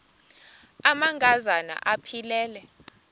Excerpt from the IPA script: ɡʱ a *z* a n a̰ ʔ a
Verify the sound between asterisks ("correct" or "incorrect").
correct